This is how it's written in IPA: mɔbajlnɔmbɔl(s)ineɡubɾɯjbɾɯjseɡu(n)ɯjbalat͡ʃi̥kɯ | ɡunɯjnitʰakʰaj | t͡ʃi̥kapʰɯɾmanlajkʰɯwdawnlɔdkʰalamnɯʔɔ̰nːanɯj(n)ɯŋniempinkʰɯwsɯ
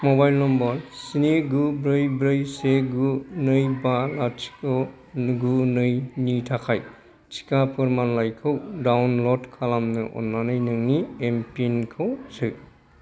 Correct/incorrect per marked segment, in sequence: correct, correct, correct

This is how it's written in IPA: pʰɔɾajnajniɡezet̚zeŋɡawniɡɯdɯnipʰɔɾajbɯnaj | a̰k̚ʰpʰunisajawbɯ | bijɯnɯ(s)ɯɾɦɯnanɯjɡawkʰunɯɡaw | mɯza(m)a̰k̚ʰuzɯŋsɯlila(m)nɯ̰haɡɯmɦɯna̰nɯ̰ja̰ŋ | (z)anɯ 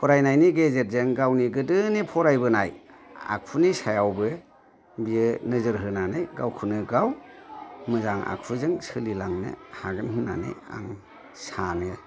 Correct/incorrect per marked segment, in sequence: incorrect, incorrect, incorrect, incorrect

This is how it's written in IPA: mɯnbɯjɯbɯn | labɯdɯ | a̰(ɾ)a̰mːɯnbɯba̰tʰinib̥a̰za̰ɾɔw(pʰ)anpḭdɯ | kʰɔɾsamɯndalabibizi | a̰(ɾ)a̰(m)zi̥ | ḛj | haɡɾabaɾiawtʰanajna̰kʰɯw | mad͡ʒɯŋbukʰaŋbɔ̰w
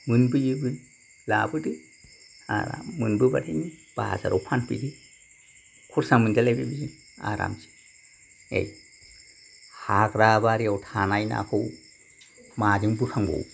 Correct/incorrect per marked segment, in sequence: correct, correct, correct, correct

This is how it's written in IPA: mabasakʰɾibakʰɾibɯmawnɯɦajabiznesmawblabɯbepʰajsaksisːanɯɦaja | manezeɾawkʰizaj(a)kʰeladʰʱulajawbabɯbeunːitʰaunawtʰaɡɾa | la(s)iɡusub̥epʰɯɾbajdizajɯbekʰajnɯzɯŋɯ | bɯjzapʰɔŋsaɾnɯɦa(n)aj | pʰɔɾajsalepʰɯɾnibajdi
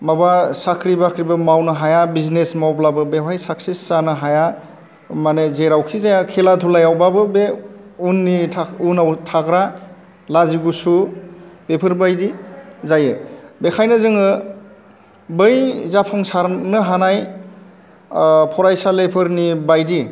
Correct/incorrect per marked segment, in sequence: correct, incorrect, correct

